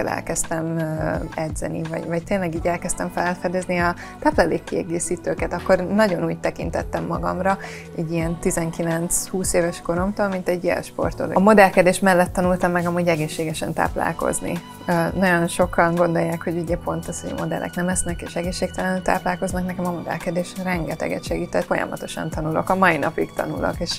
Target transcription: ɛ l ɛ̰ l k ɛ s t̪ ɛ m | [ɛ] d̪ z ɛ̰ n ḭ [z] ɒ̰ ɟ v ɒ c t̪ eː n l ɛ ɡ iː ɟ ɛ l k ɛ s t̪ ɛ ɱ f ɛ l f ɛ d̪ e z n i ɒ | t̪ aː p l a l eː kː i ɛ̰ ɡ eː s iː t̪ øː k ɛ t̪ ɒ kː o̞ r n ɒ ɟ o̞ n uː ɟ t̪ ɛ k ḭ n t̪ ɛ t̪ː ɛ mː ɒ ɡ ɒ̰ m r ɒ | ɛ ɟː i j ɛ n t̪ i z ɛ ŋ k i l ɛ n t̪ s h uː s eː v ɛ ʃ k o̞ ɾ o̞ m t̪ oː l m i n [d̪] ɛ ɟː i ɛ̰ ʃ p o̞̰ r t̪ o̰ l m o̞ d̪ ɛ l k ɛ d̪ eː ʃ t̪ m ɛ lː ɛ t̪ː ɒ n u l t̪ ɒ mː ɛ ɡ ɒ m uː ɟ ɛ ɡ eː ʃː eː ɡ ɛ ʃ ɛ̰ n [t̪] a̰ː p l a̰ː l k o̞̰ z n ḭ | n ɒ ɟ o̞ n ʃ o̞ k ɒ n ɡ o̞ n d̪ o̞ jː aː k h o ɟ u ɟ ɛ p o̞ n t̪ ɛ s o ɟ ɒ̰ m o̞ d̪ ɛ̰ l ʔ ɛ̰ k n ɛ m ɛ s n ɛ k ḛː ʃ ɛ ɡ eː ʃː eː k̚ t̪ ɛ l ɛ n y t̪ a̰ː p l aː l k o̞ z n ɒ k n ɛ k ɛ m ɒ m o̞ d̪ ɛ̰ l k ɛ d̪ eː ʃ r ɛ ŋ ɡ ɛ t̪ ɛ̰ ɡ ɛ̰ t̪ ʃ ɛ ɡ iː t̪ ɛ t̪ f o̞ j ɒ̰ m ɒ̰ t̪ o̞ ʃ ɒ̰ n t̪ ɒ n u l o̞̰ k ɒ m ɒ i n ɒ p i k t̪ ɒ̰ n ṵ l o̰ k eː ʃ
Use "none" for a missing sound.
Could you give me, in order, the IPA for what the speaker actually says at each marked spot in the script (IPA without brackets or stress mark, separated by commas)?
ɛ, v, t̪, t̪